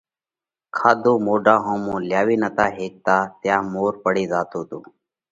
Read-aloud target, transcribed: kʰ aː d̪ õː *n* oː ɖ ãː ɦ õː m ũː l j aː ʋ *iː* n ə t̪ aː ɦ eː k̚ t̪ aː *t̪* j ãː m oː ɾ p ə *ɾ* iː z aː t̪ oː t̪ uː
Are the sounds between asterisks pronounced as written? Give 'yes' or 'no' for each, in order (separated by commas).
no, yes, yes, no